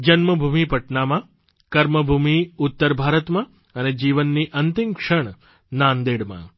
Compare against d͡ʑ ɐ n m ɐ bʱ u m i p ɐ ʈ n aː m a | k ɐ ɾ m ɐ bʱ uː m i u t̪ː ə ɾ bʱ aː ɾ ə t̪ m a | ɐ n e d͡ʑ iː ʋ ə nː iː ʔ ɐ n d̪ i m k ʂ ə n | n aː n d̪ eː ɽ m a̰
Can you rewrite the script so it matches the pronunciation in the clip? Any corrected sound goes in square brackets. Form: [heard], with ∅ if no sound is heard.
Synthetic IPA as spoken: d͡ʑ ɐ n m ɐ bʱ u m i p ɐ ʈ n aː m a | k ɐ ɾ m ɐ bʱ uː m i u t̪ː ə ɾ bʱ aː ɾ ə t̪ m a | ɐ n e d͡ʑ iː ʋ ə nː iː ʔ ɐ n [t̪] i m k ʂ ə [ɳ] | n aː n d̪ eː ɽ m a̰